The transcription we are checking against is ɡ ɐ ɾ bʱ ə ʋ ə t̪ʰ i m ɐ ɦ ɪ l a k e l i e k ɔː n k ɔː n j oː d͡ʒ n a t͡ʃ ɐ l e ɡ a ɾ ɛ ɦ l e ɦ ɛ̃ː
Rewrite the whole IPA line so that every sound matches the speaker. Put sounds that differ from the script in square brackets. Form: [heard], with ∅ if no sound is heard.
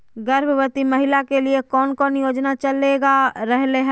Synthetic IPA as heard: ɡ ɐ ɾ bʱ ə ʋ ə [t̪] i m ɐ ɦ ɪ l a k e l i e k ɔː n k ɔː n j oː d͡ʒ n a t͡ʃ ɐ l e ɡ a ɾ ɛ ɦ l e ɦ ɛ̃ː